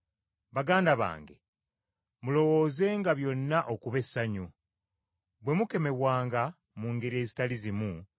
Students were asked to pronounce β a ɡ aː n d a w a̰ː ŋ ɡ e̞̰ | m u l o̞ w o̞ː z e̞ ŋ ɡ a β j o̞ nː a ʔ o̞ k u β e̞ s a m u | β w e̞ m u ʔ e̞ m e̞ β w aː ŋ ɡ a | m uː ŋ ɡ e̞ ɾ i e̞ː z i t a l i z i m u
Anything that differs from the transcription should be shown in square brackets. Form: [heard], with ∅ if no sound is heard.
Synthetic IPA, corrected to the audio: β a ɡ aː n d a [β] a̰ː ŋ ɡ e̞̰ | m u l o̞ w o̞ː z e̞ ŋ ɡ a β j o̞ nː a ʔ o̞ k u β e̞ s a [ɲ] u | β w e̞ m u [k] e̞ m e̞ β w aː ŋ ɡ a | m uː ŋ ɡ e̞ ɾ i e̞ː z i t a l i z i m u